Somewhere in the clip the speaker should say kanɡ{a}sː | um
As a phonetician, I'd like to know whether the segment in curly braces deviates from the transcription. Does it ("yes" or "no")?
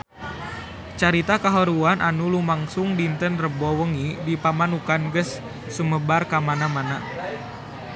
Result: yes